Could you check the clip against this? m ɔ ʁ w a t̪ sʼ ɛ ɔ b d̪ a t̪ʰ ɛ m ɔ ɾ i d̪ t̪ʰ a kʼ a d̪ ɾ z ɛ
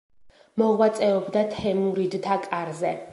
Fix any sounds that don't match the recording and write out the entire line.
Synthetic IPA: m ɔ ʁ w a t̪ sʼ ɛ ɔ b d̪ a t̪ʰ ɛ m u ɾ i d̪ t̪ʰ a kʼ a ɾ z ɛ